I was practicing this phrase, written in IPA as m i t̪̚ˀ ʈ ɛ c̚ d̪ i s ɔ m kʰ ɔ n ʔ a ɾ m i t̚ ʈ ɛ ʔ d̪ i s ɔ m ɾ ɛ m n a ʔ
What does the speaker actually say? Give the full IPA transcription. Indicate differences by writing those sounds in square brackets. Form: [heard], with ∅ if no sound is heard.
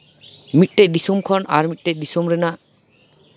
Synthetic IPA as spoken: m i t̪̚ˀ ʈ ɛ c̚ d̪ i s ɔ m kʰ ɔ n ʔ a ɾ m i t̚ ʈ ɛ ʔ d̪ i s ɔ m ɾ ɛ [∅] n a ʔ